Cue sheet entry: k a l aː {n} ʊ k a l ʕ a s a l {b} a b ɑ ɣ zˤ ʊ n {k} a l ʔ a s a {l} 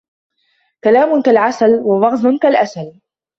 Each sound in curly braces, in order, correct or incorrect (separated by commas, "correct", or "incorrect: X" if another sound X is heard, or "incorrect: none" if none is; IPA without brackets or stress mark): incorrect: m, incorrect: w, correct, correct